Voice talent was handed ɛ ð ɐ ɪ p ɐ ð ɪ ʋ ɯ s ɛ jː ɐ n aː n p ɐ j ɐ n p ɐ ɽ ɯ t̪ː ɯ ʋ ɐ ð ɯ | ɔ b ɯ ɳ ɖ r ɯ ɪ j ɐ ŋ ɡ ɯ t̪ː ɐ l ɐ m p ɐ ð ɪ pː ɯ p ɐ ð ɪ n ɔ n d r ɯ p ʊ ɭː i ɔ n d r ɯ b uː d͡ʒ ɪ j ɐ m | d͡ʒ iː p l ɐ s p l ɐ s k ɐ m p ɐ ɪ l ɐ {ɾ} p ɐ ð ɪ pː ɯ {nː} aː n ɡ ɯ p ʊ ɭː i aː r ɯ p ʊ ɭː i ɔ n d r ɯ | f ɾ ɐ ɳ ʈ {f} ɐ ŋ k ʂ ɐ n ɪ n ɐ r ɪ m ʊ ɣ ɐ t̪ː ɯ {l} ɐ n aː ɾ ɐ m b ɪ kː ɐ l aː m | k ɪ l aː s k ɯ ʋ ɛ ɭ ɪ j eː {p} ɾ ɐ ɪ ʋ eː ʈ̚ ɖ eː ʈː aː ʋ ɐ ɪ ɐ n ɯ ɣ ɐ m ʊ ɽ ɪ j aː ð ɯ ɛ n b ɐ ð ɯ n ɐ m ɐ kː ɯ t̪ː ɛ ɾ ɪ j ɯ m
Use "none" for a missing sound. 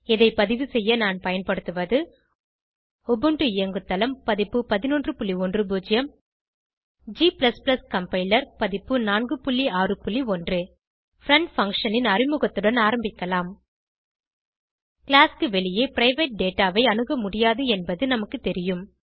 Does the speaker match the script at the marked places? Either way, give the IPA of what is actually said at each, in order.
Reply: ɾ, n, f, ɽ, p

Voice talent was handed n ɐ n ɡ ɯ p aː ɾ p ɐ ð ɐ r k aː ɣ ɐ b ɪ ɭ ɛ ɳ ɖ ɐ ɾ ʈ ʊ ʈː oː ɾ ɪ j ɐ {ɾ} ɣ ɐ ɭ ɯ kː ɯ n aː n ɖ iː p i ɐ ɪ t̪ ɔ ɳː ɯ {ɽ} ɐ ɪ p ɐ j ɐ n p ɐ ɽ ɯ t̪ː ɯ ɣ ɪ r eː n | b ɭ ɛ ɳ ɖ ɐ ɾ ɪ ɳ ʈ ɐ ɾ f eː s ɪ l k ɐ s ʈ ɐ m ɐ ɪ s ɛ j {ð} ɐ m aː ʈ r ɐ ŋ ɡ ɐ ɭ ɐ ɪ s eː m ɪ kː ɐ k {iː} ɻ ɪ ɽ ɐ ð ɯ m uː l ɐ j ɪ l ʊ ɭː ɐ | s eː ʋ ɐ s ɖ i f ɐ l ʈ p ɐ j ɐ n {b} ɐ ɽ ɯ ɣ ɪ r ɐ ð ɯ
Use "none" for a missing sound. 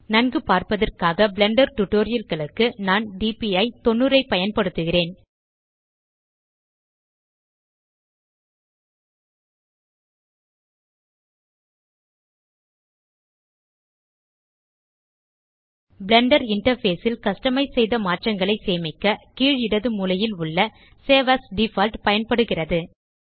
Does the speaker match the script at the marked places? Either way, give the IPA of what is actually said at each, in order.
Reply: l, ɾ, ð, iː, p

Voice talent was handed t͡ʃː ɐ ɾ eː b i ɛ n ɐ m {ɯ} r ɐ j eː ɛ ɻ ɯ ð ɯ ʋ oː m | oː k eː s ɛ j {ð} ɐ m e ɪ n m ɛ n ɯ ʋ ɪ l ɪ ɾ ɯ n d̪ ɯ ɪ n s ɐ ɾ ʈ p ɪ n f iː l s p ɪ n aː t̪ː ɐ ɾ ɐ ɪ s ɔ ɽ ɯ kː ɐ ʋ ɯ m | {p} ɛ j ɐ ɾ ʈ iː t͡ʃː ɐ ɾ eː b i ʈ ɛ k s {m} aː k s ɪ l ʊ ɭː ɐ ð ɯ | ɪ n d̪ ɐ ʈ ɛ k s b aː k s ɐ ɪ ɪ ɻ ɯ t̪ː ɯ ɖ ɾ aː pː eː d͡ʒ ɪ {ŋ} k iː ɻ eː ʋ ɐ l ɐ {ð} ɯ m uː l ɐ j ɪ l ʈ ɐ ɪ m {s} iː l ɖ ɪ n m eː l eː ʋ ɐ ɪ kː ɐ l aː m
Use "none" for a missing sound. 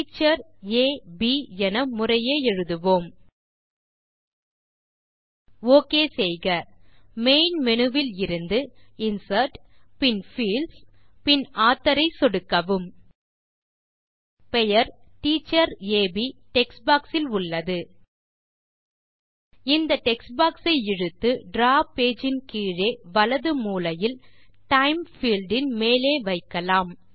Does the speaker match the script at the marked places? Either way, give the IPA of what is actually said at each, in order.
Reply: ʊ, ɣ, p, b, n, ð, f

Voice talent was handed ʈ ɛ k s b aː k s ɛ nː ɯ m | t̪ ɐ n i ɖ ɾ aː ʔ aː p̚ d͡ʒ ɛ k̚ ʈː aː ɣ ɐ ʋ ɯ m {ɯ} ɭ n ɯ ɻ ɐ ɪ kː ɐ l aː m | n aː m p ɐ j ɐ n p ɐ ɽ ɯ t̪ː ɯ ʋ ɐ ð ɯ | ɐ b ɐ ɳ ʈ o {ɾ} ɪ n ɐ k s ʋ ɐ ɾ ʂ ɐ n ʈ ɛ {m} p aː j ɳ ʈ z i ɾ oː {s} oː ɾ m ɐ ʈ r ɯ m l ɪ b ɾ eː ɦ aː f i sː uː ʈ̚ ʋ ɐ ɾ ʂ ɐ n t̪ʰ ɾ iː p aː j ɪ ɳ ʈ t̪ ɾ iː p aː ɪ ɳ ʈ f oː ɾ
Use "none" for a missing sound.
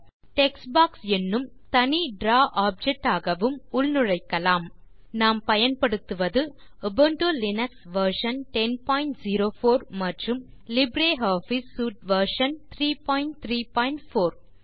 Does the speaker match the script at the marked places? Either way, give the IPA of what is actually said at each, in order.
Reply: ʊ, l, n, f

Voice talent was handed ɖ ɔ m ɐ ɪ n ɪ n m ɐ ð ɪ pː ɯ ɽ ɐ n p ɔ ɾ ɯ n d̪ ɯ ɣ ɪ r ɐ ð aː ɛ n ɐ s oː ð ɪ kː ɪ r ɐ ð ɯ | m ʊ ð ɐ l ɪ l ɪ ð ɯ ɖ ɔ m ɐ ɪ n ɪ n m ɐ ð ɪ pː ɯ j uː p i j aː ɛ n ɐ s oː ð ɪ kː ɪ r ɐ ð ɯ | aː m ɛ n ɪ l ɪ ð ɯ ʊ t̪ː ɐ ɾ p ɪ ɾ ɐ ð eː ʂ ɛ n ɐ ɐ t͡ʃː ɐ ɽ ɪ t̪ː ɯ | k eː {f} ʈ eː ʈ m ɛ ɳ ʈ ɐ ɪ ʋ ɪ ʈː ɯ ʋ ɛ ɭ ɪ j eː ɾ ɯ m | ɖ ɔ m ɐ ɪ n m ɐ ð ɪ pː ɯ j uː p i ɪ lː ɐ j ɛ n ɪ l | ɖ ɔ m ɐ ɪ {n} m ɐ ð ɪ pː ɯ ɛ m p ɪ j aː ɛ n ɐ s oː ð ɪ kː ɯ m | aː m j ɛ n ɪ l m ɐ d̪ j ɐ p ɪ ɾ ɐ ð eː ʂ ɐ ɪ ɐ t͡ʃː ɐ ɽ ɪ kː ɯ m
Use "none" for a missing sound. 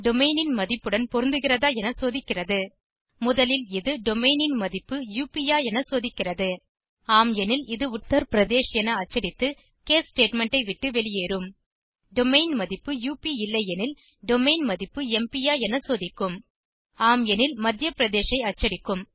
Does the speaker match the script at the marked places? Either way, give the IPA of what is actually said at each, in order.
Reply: s, n

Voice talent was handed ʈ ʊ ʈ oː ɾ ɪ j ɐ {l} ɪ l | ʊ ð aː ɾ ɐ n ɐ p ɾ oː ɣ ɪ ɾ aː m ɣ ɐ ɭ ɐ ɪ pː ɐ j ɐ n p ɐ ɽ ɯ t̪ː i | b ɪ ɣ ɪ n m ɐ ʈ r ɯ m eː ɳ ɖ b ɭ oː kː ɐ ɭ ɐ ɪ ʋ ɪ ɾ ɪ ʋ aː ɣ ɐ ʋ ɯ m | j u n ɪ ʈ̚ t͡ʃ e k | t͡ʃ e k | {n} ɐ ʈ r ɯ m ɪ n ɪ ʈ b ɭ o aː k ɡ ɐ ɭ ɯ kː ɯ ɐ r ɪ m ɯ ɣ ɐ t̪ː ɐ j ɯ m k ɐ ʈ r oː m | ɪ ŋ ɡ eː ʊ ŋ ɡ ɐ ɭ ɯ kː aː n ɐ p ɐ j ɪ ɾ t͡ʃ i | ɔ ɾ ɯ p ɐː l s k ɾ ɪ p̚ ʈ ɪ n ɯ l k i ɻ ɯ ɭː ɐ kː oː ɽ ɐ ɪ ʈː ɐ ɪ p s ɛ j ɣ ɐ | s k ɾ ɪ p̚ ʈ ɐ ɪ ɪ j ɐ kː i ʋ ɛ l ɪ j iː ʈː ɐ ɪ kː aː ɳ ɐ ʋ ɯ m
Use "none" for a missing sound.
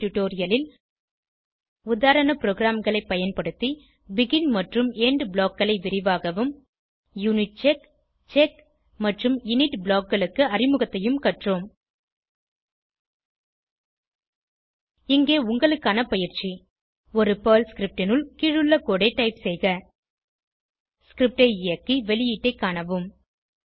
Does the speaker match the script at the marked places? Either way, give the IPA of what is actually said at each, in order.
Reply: l, m

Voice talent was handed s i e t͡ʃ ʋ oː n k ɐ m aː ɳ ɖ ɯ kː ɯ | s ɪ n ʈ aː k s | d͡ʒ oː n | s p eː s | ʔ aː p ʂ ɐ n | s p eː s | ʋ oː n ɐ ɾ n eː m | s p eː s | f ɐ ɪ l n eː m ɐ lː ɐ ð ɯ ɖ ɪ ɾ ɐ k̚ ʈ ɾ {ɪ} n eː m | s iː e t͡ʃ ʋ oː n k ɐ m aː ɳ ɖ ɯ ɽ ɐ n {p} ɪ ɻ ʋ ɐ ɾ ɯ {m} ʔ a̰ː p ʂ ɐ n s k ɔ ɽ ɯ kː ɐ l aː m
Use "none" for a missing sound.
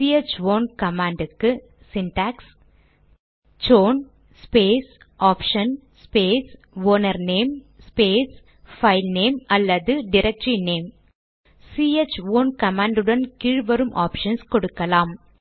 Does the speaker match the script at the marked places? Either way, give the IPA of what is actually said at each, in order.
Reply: i, k, m

